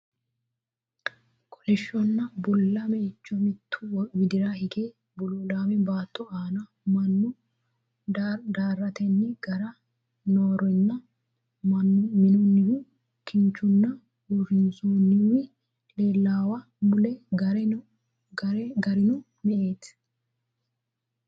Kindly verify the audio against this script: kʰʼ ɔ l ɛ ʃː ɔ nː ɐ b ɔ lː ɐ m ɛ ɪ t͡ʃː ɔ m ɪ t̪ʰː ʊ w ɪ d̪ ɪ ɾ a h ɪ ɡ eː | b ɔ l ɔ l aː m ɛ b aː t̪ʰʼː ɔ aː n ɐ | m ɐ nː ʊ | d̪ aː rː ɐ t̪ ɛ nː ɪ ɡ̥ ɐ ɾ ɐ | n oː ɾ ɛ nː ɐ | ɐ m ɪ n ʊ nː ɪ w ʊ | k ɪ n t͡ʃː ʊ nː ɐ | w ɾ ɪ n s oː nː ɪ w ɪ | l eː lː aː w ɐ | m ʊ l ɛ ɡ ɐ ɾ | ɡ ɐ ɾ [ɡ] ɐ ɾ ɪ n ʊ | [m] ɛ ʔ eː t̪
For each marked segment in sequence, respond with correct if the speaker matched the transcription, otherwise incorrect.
correct, correct

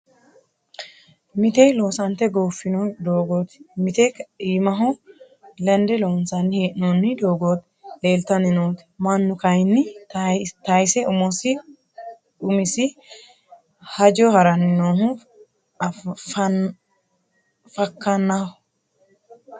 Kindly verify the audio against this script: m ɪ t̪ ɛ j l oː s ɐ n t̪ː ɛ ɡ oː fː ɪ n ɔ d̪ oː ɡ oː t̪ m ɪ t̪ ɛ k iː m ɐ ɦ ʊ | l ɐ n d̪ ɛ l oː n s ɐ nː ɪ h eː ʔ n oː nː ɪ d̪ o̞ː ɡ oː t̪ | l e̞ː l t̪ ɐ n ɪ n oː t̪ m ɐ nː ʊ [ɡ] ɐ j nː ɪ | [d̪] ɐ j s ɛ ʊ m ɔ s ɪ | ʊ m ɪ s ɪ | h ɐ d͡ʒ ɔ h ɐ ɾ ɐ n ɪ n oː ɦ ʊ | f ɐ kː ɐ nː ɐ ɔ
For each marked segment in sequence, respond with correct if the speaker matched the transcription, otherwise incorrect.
incorrect: k, incorrect: t̪

